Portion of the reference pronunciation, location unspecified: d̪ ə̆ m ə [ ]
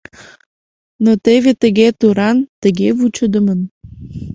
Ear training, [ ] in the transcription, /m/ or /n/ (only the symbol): n